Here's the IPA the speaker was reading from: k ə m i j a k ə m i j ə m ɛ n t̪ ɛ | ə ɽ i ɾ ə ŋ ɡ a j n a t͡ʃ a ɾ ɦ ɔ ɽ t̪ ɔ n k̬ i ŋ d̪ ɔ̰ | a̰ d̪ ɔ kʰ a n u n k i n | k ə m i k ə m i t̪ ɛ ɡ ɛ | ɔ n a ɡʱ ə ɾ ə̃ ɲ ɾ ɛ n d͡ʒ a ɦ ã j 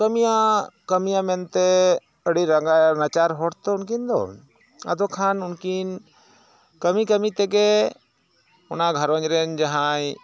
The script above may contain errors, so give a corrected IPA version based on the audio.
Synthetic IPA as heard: k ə m i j a k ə m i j a m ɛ n t̪ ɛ | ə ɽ i ɾ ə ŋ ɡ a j n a t͡ʃ a ɾ ɦ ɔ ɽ t̪ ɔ n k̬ i n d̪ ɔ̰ | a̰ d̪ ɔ kʰ a n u n k i n | k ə m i k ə m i t̪ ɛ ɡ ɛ | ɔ n a ɡʱ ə ɾ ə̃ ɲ ɾ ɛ n d͡ʒ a ɦ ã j